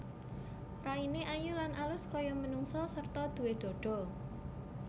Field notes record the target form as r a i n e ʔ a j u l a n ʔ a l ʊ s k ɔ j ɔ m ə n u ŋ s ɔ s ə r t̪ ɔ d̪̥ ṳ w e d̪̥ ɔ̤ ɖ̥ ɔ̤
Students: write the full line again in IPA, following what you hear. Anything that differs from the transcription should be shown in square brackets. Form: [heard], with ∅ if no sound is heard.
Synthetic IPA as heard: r a i n e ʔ a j u l a n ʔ a l ʊ s k ɔ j ɔ m ə n u ŋ s ɔ s ə r t̪ ɔ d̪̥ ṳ w e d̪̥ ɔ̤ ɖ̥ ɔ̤